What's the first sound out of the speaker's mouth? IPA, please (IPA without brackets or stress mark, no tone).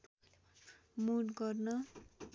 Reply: m